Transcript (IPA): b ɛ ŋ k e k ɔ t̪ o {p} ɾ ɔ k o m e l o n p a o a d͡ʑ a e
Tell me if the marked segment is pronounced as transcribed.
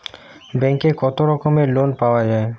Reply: no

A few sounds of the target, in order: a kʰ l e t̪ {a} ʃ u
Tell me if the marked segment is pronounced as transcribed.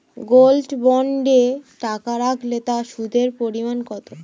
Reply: yes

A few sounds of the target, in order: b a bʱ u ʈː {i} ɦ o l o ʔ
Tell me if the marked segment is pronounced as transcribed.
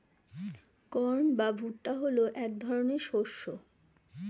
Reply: no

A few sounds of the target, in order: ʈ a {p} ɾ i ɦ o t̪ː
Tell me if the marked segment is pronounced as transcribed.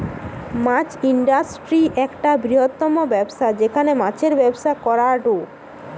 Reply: no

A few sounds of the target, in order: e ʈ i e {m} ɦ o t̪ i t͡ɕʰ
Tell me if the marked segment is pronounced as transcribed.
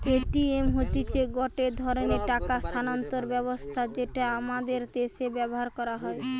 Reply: yes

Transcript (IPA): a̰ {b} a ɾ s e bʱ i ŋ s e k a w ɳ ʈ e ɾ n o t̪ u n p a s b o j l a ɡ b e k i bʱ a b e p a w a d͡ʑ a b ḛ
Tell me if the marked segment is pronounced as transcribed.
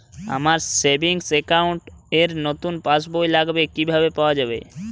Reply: no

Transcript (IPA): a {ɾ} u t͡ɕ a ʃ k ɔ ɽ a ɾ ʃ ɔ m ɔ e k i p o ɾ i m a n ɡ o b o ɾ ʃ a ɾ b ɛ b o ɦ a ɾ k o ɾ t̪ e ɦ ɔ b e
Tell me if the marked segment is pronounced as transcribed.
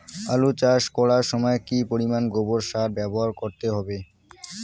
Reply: no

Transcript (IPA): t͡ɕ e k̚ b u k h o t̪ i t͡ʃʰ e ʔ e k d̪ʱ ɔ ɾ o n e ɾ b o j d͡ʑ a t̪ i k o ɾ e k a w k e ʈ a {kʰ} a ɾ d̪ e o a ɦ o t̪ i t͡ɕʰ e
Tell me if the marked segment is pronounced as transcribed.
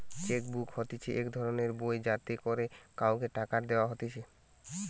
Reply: no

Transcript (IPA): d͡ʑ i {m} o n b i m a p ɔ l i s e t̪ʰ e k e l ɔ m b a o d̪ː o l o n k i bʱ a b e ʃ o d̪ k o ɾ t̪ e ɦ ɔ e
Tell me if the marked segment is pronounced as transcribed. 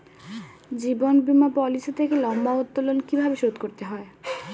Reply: no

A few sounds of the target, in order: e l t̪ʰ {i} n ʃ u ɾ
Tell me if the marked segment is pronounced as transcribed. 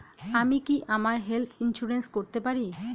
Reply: yes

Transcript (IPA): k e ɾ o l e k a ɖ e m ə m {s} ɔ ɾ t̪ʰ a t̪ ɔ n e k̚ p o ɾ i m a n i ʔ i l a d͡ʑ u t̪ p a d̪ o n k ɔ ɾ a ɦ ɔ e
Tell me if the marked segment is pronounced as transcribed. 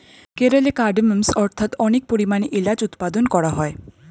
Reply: yes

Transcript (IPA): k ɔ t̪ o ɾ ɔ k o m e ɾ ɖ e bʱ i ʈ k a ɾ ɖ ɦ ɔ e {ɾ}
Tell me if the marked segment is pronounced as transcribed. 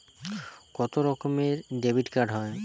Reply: no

